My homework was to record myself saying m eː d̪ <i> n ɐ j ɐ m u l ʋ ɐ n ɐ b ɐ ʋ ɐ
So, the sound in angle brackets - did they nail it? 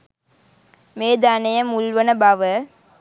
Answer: no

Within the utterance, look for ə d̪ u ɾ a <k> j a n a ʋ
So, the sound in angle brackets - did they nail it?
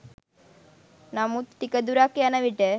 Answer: yes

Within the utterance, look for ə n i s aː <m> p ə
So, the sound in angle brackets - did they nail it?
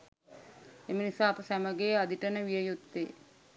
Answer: no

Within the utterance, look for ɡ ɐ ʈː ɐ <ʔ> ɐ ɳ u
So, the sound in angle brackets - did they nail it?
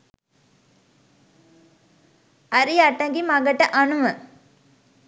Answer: yes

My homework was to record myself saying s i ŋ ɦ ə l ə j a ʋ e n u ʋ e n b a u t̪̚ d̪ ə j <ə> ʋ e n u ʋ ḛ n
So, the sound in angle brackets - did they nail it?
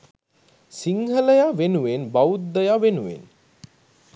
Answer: no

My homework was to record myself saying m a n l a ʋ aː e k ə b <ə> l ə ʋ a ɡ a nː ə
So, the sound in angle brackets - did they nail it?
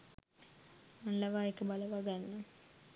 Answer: no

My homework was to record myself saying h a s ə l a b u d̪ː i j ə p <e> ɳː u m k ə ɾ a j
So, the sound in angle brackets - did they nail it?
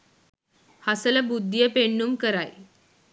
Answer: yes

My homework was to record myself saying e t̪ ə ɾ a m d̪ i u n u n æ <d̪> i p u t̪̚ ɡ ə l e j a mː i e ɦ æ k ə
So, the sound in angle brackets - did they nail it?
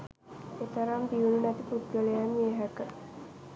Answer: no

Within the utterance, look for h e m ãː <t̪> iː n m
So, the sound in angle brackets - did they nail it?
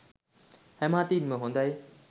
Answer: yes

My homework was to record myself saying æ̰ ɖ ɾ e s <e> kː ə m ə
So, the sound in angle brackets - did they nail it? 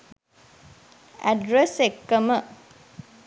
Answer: yes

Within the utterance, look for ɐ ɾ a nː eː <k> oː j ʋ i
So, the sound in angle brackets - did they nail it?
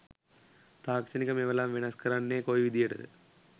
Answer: yes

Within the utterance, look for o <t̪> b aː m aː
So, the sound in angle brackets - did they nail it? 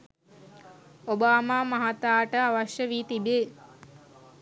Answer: no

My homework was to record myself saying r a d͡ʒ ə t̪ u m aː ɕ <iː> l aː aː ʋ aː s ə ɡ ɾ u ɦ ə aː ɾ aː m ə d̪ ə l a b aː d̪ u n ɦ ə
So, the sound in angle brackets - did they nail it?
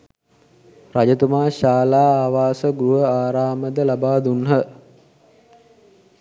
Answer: no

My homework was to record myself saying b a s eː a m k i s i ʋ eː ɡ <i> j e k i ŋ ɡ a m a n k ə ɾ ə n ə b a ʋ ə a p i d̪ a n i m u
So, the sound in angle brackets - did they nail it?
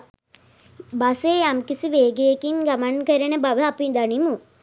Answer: no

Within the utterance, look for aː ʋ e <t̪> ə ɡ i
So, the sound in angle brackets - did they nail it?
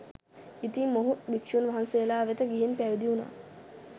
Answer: yes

